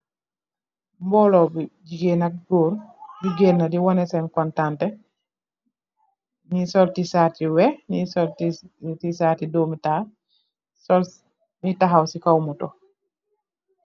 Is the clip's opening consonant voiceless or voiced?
voiced